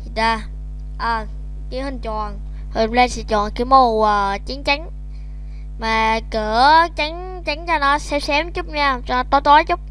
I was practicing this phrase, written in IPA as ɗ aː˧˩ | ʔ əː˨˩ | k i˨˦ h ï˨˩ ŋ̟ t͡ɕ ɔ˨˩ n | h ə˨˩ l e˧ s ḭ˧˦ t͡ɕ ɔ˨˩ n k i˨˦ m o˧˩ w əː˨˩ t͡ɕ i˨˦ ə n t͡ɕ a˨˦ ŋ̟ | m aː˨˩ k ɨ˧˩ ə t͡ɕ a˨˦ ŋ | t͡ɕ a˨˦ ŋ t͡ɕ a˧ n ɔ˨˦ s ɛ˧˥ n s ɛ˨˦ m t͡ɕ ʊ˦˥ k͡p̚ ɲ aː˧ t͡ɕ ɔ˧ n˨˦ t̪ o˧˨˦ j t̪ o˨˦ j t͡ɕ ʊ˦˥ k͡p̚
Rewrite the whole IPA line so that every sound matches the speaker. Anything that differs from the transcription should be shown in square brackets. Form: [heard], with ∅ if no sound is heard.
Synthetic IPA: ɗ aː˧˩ | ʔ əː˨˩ | k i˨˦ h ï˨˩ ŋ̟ t͡ɕ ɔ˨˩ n | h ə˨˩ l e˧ s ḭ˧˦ t͡ɕ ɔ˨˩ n k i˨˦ m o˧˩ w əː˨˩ t͡ɕ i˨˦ ə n t͡ɕ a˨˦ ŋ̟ | m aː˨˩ k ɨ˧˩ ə t͡ɕ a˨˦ ŋ | t͡ɕ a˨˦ ŋ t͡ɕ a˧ n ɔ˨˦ s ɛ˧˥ [∅] s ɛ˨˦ m t͡ɕ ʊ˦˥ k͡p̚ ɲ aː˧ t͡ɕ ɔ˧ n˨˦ t̪ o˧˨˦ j t̪ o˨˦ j t͡ɕ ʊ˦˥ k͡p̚